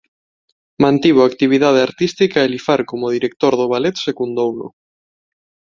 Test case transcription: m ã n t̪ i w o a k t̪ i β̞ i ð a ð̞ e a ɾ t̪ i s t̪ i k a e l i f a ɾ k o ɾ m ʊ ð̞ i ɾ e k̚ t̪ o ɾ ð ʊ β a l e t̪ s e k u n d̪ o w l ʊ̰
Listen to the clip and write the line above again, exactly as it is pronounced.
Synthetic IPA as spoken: m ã n t̪ i β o a k t̪ i β̞ i ð a ð̞ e a ɾ t̪ i s t̪ i k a e l i f a ɾ k o m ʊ ð̞ i ɾ e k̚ t̪ o ɾ ð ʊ β a l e t̪ s e k u n d̪ o w l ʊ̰